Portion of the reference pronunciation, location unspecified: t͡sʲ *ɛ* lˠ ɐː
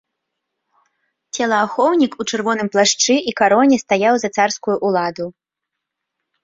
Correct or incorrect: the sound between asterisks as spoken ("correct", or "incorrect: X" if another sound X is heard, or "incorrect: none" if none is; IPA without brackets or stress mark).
correct